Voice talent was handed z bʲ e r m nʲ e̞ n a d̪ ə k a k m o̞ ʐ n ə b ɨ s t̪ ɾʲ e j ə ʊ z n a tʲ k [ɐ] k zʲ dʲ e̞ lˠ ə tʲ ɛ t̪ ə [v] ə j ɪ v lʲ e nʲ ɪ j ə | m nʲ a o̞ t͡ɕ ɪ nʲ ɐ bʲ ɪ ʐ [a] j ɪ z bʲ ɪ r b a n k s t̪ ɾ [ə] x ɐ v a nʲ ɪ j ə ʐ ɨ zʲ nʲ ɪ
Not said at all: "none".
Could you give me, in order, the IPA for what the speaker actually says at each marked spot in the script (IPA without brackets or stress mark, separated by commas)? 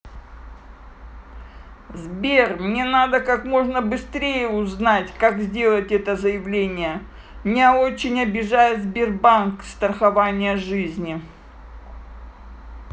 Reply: a, z, a, ə